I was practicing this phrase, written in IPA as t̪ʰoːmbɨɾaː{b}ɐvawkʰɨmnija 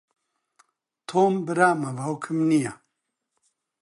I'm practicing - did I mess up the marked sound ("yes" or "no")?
yes